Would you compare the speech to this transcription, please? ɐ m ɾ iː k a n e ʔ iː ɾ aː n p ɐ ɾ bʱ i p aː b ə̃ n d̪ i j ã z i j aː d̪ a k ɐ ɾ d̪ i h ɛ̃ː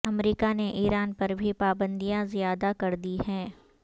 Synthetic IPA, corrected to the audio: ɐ m ɾ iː k a n e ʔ iː ɾ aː n p ɐ ɾ bʱ i p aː b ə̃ n d̪ i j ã z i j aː d̪ a k ɐ ɾ d̪ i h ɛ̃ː

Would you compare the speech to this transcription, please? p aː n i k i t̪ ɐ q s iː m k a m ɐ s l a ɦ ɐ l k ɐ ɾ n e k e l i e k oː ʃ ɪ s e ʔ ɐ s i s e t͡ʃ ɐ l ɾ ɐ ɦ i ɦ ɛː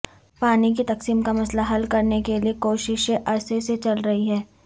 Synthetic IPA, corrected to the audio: p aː n i k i t̪ ɐ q s iː m k a m ɐ s l a ɦ ɐ l k ɐ ɾ n e k e l i e k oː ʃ ɪ ʃ e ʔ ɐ s e s e t͡ʃ ɐ l ɾ ɐ ɦ i ɦ ɛː

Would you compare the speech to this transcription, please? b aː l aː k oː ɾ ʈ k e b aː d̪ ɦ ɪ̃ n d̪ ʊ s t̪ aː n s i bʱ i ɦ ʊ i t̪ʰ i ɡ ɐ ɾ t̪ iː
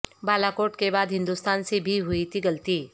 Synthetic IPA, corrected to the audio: b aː l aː k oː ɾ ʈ k e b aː d̪ ɦ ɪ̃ n d̪ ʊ s t̪ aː n s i bʱ i ɦ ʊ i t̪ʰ i ɡ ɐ l t̪ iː

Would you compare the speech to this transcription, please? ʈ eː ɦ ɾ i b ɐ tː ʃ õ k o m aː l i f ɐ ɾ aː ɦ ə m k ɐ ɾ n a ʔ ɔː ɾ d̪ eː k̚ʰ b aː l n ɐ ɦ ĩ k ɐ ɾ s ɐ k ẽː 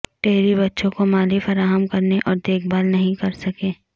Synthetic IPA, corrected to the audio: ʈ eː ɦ ɾ i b ɐ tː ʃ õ k o m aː l i f ɐ ɾ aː ɦ ə m k ɐ ɾ n e ʔ ɔː ɾ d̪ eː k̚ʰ b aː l n ɐ ɦ ĩ k ɐ ɾ s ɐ k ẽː

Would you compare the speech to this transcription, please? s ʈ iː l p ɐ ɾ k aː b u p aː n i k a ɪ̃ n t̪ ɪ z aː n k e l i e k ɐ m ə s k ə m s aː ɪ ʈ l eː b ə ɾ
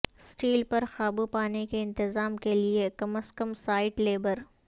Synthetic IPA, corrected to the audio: s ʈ iː l p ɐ ɾ x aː b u p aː n e k e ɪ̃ n t̪ ɪ z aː m k e l i e k ɐ m ə s k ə m s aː ɪ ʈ l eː b ə ɾ

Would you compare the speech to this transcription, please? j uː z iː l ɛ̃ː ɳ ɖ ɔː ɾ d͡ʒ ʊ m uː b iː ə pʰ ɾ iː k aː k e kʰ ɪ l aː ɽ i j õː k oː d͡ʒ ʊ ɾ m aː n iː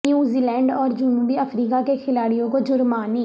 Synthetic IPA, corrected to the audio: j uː z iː l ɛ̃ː ɳ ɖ ɔː ɾ d͡ʒ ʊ n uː b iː ə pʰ ɾ iː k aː k e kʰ ɪ l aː ɽ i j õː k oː d͡ʒ ʊ ɾ m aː n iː

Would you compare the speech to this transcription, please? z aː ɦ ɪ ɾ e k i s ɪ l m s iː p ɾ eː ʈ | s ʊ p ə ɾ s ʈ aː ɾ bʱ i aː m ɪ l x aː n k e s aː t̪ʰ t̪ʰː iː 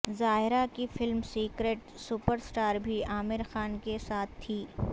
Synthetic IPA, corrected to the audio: z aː ɦ ɪ ɾ a k i f ɪ l m s iː k ɾ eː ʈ | s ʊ p ə ɾ s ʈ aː ɾ bʱ i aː m ɪ ɾ x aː n k e s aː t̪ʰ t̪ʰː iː

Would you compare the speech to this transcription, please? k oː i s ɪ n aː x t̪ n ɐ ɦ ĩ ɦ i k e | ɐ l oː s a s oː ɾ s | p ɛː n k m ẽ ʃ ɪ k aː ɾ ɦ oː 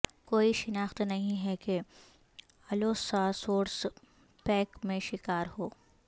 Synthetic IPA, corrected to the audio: k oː i ʃ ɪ n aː x t̪ n ɐ ɦ ĩ ɦ ɛ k e | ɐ l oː s a s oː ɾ s | p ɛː k m ẽ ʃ ɪ k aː ɾ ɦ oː

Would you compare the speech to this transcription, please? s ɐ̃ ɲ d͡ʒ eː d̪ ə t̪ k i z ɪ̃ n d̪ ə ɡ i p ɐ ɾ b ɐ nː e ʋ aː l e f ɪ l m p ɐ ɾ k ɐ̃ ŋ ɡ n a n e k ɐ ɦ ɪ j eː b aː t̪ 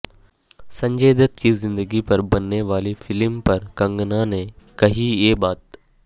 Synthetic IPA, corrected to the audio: s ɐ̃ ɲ d͡ʒ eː d̪ ə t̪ k i z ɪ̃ n d̪ ə ɡ i p ɐ ɾ b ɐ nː e ʋ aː l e f ɪ l m p ɐ ɾ k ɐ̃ ŋ ɡ n a n e k ɐ ɦ i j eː b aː t̪

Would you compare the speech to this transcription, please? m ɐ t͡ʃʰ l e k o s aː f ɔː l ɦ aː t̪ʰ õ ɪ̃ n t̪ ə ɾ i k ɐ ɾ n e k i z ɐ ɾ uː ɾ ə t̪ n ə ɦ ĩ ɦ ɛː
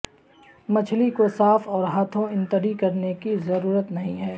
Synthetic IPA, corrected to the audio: m ɐ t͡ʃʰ l i k o s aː f ɔː ɾ ɦ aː t̪ʰ õ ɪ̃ n t̪ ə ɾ i k ɐ ɾ n e k i z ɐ ɾ uː ɾ ə t̪ n ɐ ɦ ĩ ɦ ɛː

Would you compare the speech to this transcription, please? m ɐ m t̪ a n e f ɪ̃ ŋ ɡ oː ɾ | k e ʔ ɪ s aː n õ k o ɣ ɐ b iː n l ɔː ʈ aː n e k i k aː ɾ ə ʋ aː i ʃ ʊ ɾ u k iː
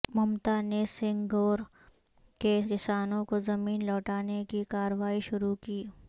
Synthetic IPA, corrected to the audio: m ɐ m t̪ a n e s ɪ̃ ŋ ɡ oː ɾ | k e k ɪ s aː n õ k o z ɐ m iː n l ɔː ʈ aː n e k i k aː ɾ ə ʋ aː i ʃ ʊ ɾ u k iː

